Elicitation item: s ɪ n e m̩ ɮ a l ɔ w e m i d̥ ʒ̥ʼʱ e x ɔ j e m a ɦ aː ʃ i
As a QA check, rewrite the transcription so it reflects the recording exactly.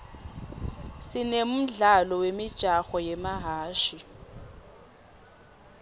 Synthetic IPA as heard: s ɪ n e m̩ ɮ a l ɔ w e m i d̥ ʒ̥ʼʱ a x ɔ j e m a ɦ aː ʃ i